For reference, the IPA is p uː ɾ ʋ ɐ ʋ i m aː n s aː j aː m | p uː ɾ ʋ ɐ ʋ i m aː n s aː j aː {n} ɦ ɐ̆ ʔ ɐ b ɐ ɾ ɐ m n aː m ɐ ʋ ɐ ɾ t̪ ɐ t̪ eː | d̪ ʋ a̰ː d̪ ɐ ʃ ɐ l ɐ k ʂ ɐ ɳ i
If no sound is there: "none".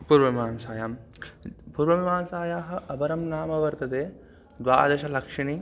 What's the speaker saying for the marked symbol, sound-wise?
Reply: none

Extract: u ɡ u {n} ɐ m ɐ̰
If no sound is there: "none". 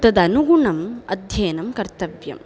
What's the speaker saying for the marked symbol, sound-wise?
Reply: ɳ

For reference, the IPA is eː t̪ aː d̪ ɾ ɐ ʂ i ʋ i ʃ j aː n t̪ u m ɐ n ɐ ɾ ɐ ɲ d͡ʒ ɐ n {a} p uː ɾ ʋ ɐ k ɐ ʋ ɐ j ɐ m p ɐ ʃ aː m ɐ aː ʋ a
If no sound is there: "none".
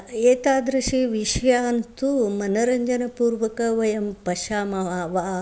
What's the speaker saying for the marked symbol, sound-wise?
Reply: ɐ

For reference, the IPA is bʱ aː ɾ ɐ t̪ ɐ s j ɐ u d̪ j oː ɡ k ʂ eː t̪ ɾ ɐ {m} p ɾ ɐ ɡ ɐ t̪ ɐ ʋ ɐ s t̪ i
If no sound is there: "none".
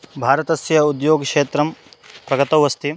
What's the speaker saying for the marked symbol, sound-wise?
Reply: m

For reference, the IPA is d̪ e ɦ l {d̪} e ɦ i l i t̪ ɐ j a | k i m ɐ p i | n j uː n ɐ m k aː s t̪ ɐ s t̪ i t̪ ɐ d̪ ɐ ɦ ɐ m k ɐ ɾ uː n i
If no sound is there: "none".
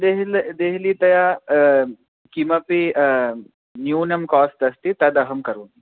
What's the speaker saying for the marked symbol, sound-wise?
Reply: d̪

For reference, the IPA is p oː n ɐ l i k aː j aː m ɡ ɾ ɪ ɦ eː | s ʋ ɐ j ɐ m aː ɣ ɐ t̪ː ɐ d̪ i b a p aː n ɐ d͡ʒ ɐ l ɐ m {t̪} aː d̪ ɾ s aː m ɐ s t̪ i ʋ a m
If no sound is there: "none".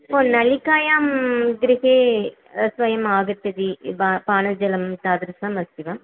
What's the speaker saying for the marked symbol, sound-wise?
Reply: t̪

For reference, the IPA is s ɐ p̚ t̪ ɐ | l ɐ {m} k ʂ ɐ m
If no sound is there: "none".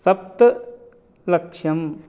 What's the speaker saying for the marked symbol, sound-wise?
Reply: none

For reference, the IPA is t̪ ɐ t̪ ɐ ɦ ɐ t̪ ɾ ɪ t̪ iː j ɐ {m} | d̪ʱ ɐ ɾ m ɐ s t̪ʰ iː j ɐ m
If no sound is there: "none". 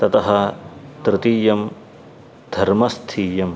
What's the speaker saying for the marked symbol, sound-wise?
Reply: m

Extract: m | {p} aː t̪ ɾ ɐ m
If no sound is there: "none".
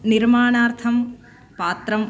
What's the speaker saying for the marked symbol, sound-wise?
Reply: p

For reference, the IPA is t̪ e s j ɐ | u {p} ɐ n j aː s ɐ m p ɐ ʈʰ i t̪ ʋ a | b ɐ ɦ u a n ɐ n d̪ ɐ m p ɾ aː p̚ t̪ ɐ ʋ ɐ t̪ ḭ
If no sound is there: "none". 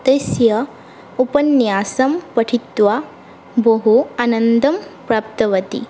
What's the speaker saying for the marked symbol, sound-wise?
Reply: p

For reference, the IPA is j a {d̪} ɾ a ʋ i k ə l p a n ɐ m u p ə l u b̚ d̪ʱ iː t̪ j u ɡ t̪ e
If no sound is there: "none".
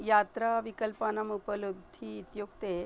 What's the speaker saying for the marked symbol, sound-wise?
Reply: t̪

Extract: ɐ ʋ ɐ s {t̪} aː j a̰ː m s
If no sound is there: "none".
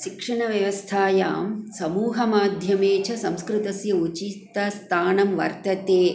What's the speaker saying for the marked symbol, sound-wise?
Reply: t̪ʰ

